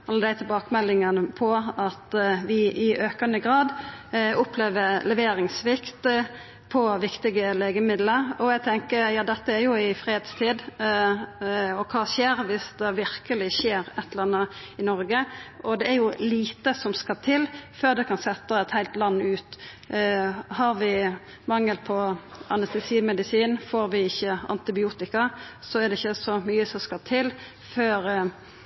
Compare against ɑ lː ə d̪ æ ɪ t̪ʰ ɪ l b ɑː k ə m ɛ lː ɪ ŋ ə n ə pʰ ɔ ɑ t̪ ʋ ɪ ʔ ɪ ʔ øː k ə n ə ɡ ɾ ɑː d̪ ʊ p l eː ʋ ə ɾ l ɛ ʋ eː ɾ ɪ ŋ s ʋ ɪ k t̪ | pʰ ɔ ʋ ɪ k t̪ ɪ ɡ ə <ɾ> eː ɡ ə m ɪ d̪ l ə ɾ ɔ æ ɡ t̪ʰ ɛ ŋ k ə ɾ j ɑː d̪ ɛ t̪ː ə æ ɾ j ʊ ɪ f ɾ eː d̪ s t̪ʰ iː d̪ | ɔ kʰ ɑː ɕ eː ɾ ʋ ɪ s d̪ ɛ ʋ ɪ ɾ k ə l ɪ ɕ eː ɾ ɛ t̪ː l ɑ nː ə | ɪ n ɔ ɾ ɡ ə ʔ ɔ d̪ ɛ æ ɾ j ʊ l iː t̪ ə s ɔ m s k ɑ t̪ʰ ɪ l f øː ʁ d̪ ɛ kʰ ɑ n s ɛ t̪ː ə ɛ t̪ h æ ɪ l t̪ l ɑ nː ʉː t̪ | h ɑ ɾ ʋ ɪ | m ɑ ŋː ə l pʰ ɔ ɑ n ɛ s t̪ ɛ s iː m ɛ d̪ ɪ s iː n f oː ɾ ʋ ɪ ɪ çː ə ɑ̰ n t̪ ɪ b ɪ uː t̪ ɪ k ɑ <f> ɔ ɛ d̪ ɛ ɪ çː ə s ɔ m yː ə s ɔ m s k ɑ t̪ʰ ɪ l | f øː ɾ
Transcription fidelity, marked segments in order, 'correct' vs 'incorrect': incorrect: l, incorrect: s

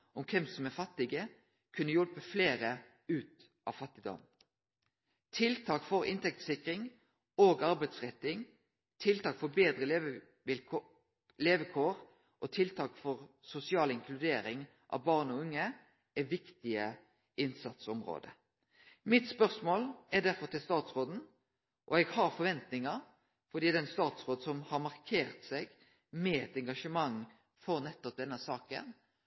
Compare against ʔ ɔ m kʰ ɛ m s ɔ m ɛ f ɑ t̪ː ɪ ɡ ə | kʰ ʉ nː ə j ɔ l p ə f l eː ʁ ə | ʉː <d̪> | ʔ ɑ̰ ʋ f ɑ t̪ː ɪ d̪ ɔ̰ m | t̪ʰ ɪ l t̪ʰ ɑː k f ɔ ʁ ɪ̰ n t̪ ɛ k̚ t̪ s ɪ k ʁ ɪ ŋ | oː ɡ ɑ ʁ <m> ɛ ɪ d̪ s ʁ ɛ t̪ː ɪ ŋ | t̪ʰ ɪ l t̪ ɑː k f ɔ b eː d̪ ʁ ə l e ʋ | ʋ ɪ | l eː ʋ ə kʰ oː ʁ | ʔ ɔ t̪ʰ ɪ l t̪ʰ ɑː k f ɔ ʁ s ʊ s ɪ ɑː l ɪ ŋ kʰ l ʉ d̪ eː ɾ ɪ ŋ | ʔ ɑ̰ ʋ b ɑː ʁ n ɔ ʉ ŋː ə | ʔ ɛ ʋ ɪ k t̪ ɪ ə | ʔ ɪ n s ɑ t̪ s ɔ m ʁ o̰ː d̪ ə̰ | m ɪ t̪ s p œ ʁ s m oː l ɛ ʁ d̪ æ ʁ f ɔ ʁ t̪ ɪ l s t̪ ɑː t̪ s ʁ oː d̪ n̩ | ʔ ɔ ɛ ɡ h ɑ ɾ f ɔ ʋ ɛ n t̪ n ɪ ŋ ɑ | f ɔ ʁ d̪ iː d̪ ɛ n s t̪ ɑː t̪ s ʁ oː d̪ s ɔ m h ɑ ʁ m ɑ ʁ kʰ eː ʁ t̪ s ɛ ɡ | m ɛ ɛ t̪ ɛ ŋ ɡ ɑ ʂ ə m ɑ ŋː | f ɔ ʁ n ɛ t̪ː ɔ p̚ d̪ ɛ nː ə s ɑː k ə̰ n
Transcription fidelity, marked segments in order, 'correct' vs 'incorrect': incorrect: t̪, incorrect: b

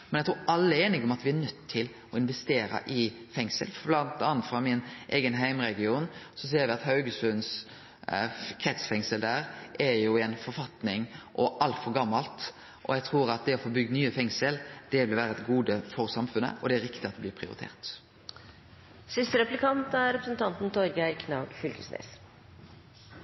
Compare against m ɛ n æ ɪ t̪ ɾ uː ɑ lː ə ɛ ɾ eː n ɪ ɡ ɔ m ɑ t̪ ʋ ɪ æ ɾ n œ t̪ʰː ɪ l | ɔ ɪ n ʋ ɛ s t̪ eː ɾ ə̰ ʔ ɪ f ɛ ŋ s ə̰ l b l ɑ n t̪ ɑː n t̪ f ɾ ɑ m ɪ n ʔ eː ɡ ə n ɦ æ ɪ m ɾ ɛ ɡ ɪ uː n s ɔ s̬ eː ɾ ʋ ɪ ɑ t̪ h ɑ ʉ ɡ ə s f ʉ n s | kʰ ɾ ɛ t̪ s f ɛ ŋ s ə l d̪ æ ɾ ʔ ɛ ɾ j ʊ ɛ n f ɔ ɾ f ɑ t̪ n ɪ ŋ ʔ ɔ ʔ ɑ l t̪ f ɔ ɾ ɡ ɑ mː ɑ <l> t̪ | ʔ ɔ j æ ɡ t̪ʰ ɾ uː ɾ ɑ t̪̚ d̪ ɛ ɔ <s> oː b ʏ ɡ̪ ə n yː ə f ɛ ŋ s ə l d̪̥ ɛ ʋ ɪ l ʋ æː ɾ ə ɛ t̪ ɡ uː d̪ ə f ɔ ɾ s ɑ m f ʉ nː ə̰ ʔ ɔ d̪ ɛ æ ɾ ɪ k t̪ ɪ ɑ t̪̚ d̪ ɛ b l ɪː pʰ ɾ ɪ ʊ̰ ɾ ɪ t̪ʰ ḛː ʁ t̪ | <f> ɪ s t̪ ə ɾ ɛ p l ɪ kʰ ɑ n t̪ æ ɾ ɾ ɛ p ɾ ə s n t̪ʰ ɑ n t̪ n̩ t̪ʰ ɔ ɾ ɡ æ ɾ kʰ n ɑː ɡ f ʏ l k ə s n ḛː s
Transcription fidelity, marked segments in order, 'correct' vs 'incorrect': correct, incorrect: f, incorrect: s

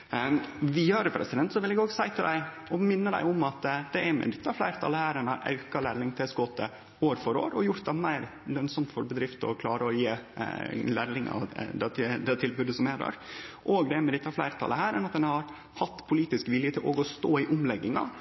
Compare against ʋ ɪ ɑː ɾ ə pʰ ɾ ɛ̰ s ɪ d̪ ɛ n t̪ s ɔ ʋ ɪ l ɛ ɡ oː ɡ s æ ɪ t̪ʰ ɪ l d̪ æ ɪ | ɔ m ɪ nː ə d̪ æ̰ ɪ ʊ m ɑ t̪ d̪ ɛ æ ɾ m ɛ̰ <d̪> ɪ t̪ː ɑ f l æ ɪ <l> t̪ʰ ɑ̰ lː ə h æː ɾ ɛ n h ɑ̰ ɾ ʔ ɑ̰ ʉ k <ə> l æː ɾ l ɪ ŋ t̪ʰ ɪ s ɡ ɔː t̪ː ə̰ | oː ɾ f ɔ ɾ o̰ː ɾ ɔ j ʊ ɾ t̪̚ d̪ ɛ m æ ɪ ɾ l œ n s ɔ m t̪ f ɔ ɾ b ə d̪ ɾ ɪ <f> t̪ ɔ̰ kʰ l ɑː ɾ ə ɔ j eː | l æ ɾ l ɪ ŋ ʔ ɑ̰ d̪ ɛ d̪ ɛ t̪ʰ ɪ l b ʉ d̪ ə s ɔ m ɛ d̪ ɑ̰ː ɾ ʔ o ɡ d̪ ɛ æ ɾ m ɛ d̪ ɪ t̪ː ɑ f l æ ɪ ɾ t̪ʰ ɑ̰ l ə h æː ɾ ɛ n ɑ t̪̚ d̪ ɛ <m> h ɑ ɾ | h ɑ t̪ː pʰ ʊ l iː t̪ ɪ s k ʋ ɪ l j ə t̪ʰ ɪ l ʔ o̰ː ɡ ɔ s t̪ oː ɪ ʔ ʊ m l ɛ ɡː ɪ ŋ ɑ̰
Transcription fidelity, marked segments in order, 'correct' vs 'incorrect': correct, incorrect: ɾ, incorrect: ɑ, correct, incorrect: n

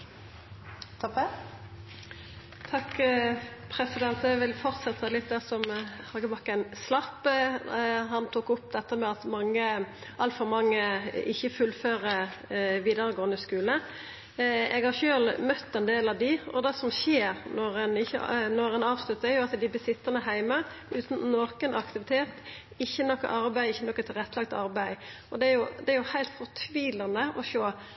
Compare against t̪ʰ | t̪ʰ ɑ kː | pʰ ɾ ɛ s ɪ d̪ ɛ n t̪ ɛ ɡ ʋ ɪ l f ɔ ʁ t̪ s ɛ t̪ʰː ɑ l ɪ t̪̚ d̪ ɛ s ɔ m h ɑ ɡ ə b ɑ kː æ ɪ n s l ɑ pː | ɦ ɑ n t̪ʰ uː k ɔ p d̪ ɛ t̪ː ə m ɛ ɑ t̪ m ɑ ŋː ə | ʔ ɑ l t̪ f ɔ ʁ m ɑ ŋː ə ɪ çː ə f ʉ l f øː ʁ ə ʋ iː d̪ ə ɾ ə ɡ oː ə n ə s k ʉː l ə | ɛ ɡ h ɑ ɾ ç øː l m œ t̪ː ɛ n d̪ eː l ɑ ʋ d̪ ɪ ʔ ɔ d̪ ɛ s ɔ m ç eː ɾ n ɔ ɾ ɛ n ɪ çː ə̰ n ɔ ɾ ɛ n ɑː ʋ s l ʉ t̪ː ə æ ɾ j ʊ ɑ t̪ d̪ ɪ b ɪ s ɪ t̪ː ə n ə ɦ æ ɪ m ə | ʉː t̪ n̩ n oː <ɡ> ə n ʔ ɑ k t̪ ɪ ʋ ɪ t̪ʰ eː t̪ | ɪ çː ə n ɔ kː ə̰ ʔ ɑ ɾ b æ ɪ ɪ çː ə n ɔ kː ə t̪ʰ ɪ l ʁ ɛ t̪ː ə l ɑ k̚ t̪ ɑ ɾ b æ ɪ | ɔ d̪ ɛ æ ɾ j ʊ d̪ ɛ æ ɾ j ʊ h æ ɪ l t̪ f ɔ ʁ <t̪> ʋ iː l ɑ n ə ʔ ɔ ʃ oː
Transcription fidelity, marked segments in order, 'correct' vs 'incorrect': incorrect: k, incorrect: t̪ʰ

